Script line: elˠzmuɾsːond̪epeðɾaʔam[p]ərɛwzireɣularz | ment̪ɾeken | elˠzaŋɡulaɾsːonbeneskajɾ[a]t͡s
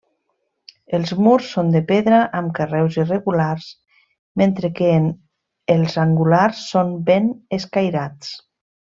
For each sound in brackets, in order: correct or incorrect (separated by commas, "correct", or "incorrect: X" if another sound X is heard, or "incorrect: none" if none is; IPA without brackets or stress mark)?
incorrect: k, correct